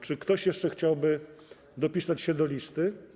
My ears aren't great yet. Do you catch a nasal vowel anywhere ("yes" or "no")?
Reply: no